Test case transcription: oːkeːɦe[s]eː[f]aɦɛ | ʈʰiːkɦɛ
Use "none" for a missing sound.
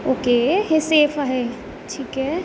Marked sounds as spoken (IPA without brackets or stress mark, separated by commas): s, f